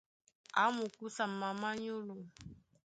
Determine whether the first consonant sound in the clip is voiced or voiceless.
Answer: voiced